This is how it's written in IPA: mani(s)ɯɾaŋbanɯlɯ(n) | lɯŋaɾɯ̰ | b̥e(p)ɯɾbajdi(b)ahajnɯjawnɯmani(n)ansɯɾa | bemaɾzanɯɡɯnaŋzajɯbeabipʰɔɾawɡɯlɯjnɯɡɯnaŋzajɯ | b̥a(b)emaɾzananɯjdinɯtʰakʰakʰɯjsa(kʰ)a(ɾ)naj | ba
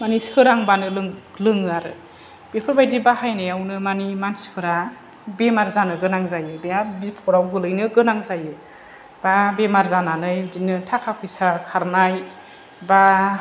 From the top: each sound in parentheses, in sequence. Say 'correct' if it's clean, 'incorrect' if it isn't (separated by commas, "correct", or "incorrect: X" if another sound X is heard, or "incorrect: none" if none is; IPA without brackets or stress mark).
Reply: correct, incorrect: ŋ, incorrect: pʰ, correct, incorrect: m, correct, correct, correct